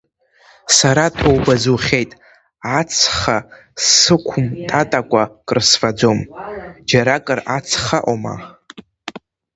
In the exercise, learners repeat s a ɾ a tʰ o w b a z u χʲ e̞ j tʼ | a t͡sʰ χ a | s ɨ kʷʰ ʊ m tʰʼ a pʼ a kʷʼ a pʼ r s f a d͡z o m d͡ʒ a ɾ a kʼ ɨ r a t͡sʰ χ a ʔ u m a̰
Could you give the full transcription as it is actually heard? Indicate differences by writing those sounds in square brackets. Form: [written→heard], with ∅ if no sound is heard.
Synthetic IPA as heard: s a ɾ a tʰ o w b a z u χʲ e̞ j tʼ | a t͡sʰ χ a | s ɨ kʷʰ ʊ m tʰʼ a [pʼ→tʼ] a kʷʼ a [pʼ→kʼ] r s f a d͡z o m d͡ʒ a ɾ a kʼ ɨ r a t͡sʰ χ a ʔ [u→o] m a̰